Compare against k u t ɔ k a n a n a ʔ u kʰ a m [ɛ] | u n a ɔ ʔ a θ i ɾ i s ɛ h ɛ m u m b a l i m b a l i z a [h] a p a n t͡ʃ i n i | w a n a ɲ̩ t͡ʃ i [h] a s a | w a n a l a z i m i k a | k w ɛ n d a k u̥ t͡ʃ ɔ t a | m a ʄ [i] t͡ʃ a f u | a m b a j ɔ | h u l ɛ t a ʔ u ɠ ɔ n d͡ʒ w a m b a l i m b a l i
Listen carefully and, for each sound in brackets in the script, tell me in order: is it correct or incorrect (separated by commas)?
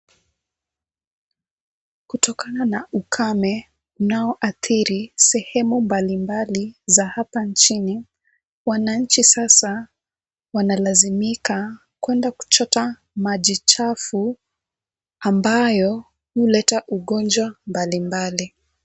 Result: correct, correct, incorrect, correct